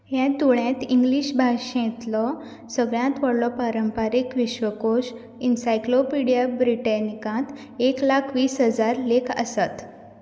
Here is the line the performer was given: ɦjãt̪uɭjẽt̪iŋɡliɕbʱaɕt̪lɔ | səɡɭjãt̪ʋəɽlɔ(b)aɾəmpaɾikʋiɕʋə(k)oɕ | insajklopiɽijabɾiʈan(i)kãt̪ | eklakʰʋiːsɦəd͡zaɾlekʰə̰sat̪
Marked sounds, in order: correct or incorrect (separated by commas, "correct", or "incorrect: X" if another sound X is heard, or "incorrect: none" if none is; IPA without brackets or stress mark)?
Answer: incorrect: p, correct, correct